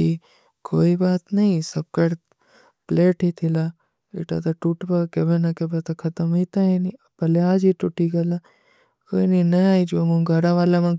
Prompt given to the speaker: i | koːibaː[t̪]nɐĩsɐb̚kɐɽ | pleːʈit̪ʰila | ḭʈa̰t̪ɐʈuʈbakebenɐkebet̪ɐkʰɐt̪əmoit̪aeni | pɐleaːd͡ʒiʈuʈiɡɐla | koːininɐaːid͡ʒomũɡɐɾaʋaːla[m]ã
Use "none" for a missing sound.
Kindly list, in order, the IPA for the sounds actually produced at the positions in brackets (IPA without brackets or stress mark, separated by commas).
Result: t̪, m